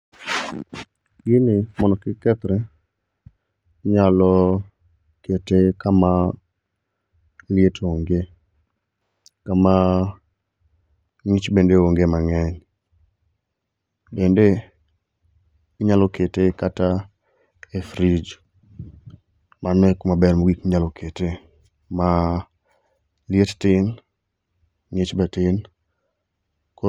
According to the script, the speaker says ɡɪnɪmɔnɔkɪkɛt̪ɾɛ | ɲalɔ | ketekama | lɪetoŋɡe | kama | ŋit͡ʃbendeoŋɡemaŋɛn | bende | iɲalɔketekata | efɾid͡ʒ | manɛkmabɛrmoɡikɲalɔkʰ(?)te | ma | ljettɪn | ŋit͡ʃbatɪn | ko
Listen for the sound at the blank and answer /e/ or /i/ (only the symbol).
e